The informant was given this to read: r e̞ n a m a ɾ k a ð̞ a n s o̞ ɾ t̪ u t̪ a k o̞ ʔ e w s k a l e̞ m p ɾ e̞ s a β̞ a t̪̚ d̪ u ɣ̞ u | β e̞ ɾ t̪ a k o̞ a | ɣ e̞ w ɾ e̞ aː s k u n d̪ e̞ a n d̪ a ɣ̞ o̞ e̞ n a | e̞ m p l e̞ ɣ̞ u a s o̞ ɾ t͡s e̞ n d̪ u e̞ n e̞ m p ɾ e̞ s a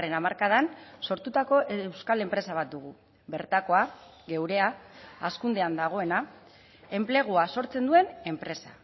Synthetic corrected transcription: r e̞ n a m a ɾ k a ð̞ a n s o̞ ɾ t̪ u t̪ a k o̞ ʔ e w s k a l e̞ m p ɾ e̞ s a β̞ a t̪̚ d̪ u ɣ̞ u | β e̞ ɾ t̪ a k o̞ a | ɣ e̞ w ɾ e̞ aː s k u n d̪ e̞ a n d̪ a ɣ̞ o̞ e̞ n a | e̞ m p l e̞ ɣ̞ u a s o̞ ɾ t͡s e̞ n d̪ u e̞ n e̞ m p ɾ e̞ s a